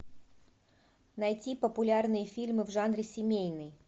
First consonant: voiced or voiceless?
voiced